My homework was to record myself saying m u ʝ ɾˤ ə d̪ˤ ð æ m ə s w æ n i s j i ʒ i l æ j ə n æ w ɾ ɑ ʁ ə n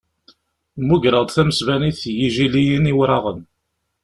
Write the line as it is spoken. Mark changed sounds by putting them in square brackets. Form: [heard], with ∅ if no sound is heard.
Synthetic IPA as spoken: m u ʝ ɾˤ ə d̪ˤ [θ] æ m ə s [v] æ n i [θ] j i ʒ i l [i] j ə n [i] w ɾ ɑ ʁ ə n